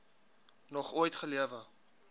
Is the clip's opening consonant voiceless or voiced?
voiced